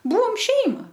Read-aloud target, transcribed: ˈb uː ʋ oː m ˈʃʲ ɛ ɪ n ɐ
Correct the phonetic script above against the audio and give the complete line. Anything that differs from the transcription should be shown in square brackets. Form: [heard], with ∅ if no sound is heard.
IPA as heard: ˈb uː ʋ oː m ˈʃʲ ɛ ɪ [m] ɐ

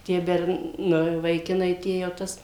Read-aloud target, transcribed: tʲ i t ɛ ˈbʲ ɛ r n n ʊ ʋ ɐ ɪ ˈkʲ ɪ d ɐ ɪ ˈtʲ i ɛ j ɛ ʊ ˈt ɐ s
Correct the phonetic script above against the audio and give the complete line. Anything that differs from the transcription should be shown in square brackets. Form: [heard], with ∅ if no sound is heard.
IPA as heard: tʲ i [∅] ɛ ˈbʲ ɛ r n n ʊ ʋ ɐ ɪ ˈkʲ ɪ [n] ɐ ɪ ˈtʲ i ɛ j ɛ ʊ ˈt ɐ s

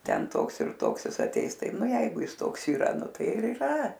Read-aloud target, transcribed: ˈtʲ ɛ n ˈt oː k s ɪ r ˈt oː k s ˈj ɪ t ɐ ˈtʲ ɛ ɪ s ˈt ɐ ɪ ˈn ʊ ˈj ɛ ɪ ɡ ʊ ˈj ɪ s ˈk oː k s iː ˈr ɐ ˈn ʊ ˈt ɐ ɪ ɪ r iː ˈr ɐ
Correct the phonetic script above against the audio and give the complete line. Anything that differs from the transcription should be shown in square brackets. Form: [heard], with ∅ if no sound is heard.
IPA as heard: ˈtʲ ɛ n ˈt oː k s ɪ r ˈt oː k s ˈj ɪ [s] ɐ ˈtʲ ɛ ɪ s ˈt ɐ ɪ ˈn ʊ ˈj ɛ ɪ ɡ ʊ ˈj ɪ s [ˈt] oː k s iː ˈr ɐ ˈn ʊ ˈt ɐ ɪ ɪ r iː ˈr ɐ

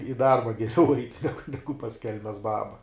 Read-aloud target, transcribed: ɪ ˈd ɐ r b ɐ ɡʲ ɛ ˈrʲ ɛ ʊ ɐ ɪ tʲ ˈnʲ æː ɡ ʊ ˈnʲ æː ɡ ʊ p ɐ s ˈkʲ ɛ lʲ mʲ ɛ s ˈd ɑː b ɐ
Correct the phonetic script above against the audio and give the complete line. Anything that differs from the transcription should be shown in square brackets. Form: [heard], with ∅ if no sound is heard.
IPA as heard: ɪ ˈd ɐ r b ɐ ɡʲ ɛ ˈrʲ ɛ ʊ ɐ ɪ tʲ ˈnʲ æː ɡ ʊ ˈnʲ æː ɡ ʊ p ɐ s ˈkʲ ɛ lʲ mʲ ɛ s [ˈb] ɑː b ɐ

